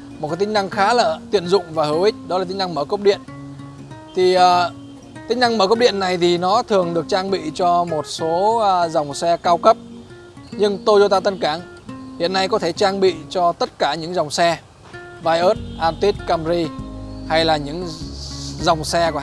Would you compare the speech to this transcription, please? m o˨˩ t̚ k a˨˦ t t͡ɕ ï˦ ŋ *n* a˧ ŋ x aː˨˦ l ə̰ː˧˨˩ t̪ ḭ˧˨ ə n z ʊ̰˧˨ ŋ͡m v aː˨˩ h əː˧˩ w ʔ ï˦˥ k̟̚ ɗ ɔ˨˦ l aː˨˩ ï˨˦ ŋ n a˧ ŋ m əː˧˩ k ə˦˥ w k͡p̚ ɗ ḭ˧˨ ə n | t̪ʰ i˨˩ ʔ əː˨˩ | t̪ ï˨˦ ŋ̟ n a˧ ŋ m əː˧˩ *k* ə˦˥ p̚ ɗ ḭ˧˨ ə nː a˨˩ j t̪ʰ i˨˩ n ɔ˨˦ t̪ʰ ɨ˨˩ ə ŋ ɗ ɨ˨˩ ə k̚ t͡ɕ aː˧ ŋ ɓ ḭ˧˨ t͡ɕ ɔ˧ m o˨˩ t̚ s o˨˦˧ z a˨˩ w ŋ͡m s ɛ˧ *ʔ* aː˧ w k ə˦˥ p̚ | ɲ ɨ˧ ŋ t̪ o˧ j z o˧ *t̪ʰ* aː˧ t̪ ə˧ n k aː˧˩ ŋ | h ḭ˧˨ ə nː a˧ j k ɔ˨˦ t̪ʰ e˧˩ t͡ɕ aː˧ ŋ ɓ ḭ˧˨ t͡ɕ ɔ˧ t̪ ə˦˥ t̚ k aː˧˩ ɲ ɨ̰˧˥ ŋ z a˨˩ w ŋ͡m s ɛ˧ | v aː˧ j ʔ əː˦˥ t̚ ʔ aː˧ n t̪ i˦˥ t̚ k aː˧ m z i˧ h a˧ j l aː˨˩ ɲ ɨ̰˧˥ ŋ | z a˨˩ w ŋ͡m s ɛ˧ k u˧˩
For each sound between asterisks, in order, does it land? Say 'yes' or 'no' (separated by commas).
yes, yes, no, no